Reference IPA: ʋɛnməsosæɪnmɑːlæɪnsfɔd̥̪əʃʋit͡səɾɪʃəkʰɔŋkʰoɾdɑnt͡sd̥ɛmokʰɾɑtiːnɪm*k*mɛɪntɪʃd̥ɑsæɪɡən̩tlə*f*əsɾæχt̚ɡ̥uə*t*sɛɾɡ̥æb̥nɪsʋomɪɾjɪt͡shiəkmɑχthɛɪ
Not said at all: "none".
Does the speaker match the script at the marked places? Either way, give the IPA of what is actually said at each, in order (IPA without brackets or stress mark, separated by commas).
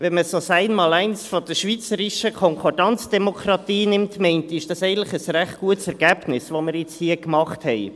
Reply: t, χ, t